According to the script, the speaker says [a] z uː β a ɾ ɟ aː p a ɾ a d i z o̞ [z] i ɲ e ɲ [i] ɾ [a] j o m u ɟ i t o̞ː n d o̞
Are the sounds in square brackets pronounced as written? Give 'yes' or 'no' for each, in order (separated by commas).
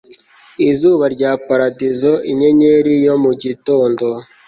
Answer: no, no, no, no